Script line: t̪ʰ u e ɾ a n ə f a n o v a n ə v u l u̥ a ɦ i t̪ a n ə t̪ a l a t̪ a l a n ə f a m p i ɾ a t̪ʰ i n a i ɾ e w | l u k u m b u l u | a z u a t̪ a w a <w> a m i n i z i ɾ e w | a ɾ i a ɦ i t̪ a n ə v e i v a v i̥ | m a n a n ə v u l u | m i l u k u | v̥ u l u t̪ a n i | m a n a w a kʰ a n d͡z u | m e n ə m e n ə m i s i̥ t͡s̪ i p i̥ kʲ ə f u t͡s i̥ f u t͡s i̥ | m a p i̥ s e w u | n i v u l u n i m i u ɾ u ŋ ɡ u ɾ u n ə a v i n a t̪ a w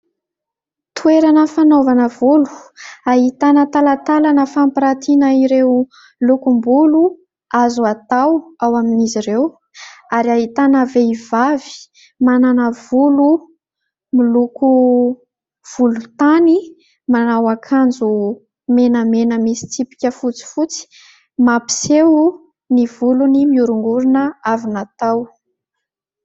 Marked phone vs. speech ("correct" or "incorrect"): correct